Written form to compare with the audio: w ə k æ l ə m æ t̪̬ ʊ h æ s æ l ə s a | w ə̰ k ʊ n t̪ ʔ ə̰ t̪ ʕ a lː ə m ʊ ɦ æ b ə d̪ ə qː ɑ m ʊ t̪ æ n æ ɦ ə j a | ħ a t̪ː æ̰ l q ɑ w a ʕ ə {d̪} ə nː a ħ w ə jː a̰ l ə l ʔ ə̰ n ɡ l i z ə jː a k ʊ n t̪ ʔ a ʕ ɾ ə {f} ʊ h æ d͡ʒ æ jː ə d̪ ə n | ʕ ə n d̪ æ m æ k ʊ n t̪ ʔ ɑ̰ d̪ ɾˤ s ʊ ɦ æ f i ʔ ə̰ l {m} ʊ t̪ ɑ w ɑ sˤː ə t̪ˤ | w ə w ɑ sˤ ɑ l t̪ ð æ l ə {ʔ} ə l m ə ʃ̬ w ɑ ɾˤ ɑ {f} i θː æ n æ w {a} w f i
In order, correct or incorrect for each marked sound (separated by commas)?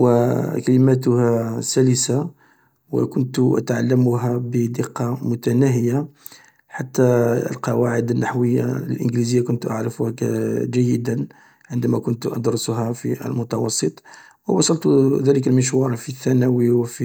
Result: correct, correct, correct, incorrect, correct, incorrect